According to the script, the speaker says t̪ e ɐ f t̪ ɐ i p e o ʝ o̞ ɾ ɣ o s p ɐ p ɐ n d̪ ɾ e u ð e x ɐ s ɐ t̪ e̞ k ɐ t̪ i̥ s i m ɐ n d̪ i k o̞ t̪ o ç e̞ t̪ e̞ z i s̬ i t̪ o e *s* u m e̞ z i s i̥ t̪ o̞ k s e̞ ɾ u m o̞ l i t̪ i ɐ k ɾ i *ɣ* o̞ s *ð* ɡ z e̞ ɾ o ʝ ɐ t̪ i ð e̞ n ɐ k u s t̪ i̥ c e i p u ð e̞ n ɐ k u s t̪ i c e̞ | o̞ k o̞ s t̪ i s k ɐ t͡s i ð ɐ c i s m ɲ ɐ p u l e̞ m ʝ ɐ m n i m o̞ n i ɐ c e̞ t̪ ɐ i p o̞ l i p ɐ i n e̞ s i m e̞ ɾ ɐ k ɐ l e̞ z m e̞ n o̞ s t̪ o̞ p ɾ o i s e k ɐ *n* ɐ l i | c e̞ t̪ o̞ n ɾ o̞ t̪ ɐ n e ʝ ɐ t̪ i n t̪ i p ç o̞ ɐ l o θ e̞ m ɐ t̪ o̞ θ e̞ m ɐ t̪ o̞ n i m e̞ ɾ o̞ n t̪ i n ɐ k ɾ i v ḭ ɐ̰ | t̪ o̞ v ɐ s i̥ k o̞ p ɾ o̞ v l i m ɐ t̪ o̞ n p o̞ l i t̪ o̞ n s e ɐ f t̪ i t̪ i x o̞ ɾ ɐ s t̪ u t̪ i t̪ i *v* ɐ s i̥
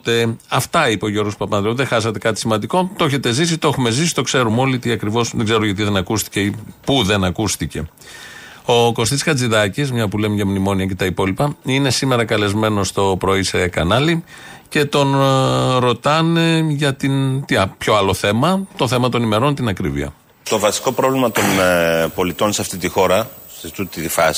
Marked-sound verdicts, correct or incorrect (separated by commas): incorrect, incorrect, correct, correct, incorrect